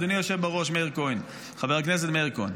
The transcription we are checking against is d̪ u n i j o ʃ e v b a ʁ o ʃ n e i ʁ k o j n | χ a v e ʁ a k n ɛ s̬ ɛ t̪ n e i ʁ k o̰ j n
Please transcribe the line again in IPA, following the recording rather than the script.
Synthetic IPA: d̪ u n i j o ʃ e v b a ʁ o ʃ m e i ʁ k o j n | χ a v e ʁ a k n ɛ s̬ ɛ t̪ m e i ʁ k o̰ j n